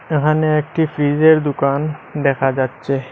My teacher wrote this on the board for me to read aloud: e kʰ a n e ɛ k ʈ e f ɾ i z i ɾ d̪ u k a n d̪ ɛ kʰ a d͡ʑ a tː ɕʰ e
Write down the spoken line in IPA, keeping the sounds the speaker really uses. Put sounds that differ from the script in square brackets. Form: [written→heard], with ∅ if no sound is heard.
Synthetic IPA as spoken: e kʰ a n e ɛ k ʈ [e→i] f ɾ i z [i→e] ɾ d̪ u k a n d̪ ɛ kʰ a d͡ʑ a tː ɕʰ e